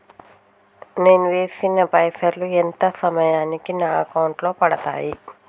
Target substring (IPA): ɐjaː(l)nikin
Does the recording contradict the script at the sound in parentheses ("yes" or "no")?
yes